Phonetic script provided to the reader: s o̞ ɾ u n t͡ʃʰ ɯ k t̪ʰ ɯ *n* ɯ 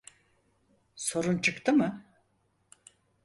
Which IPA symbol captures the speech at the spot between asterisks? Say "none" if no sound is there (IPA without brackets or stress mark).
m